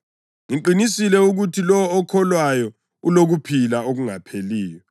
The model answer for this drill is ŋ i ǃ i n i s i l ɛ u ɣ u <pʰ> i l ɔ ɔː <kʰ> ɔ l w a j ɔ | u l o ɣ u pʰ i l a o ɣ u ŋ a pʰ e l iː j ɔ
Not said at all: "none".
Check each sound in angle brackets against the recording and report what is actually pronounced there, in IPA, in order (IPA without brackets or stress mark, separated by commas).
tʰ, kʰ